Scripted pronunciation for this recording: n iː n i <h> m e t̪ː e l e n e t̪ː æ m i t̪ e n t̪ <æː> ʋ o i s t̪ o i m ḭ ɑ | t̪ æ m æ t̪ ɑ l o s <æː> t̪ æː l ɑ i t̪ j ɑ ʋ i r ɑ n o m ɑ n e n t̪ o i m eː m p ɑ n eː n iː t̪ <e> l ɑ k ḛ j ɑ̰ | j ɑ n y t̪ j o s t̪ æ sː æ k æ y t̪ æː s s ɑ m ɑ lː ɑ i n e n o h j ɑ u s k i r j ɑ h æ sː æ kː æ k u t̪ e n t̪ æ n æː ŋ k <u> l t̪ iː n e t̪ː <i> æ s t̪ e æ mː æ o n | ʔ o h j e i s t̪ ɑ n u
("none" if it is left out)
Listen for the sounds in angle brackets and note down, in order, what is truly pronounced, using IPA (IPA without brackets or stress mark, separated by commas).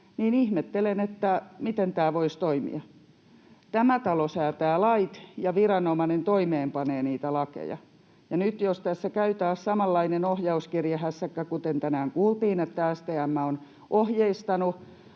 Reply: h, æː, æː, æ, uː, æ